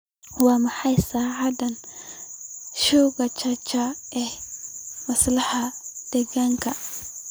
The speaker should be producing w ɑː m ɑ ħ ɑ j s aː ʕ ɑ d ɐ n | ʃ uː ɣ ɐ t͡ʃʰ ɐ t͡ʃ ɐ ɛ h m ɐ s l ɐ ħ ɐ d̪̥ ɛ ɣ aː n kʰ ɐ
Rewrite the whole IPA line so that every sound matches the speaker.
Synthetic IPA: w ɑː m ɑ ħ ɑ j s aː ʕ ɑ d ɐ n | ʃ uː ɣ ɐ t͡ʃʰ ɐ t͡ʃ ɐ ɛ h m ɐ s l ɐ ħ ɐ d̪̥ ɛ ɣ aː ŋ kʰ ɐ